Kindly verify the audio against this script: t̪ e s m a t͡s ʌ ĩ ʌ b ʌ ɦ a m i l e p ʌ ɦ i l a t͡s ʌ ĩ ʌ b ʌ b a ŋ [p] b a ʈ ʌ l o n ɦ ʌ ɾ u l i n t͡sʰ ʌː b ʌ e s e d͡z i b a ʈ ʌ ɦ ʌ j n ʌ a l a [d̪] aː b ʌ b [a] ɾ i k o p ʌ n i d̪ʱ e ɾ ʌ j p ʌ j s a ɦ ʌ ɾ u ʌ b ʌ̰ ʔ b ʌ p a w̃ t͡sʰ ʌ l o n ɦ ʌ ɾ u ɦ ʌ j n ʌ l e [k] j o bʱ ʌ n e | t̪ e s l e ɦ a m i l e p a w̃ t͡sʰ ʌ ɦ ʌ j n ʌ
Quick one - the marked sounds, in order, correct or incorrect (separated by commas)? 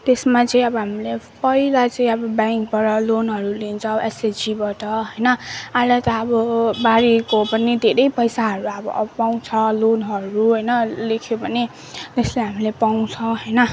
incorrect, incorrect, correct, incorrect